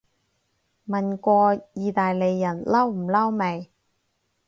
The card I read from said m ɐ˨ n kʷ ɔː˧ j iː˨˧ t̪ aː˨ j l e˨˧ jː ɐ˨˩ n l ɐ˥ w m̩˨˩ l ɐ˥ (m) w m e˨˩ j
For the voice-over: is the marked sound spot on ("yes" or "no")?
no